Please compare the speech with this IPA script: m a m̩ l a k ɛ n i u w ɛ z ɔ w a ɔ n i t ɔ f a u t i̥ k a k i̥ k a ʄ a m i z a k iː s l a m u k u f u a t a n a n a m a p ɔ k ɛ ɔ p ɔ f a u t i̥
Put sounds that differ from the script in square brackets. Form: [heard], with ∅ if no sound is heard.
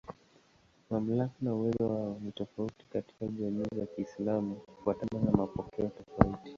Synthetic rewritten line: m a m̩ l a k [a] n [a] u w ɛ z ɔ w a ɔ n i t ɔ f a u t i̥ k a [t] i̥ k a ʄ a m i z a k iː s l a m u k u f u a t a n a n a m a p ɔ k ɛ ɔ [t] ɔ f a u t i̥